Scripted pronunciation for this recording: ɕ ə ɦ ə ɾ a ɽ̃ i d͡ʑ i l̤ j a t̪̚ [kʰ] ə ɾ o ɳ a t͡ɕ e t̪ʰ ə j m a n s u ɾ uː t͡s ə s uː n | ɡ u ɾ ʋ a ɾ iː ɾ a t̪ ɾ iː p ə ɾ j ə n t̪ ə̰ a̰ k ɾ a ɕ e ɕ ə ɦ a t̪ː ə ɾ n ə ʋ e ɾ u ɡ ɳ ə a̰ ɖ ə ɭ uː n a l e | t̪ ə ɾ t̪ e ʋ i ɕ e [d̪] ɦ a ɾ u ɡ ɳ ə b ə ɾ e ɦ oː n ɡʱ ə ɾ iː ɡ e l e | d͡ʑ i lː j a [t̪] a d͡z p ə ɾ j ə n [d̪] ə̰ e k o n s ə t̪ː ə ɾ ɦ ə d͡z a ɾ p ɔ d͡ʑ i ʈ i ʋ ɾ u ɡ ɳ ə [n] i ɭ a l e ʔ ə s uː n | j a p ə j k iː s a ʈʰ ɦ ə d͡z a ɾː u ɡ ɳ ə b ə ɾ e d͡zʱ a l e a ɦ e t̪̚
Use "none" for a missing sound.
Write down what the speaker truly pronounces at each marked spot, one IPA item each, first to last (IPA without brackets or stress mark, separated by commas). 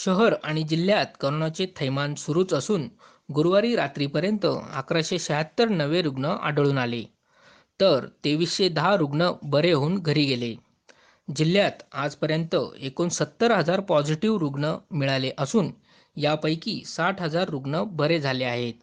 k, d̪, t̪, t̪, m